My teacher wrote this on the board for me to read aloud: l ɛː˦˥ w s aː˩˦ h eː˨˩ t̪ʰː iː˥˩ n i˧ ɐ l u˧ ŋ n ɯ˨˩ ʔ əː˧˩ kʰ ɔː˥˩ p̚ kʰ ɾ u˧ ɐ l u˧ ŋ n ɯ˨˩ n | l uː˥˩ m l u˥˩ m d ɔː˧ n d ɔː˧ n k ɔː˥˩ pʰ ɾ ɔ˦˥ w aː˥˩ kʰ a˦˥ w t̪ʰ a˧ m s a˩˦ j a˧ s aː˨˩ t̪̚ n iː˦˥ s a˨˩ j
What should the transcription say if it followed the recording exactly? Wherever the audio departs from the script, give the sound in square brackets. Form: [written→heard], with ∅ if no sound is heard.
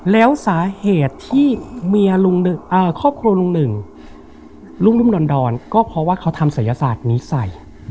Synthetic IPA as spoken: l ɛː˦˥ w s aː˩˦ h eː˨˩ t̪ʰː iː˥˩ [n→m] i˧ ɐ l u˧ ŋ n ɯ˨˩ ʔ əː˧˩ kʰ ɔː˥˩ p̚ kʰ ɾ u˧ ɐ l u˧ ŋ n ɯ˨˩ [n→ŋ] | l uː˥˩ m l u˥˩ m d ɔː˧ n d ɔː˧ n k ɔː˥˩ pʰ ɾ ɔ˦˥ w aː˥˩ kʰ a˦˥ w t̪ʰ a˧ m s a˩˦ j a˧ s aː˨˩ t̪̚ n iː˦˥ s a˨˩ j